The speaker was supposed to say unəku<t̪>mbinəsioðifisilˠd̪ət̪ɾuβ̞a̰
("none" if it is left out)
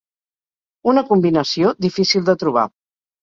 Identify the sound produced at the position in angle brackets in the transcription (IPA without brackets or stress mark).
none